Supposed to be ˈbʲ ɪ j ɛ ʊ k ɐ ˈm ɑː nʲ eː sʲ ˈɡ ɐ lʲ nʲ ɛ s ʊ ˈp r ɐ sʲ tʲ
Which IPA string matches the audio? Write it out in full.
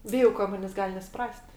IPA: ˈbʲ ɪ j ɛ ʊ k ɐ ˈm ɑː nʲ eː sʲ ˈɡ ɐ lʲ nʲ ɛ s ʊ ˈp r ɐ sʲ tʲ